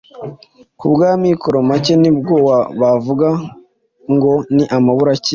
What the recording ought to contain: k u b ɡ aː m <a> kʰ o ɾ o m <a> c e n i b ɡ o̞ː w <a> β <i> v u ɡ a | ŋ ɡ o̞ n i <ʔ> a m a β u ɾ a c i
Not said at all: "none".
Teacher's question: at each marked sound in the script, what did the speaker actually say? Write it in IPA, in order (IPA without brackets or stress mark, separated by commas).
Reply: i, a, a, a, ʔ